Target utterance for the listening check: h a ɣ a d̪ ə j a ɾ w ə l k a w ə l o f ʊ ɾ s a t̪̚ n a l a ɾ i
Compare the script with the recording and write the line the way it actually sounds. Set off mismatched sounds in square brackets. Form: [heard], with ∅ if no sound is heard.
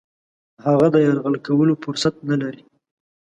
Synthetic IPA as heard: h a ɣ a d̪ ə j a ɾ [ɣ] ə l k a w ə l o f ʊ ɾ s a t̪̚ n a l a ɾ i